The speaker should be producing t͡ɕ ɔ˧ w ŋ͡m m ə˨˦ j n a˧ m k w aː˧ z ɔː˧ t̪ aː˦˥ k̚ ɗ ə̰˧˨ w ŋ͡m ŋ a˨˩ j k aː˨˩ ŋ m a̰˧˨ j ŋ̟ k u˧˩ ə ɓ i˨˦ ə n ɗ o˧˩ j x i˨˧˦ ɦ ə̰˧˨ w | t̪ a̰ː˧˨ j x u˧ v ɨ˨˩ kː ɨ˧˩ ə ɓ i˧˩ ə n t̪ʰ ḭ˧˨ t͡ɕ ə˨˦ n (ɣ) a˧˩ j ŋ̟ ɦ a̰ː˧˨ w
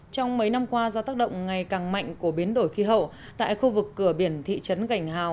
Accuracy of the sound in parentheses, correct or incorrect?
correct